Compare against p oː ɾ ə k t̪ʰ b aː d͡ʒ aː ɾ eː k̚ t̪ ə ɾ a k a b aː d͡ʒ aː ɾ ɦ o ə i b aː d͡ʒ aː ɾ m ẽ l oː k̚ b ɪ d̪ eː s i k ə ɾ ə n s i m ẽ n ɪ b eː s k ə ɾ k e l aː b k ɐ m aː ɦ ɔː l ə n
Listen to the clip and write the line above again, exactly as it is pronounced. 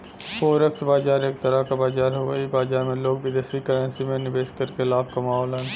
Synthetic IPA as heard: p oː ɾ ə k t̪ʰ b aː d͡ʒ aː ɾ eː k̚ t̪ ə ɾ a k a b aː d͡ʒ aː ɾ ɦ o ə i b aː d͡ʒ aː ɾ m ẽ l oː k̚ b ɪ d̪ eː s i k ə ɾ ə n s i m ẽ n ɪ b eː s k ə ɾ k e l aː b k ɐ m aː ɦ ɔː l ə n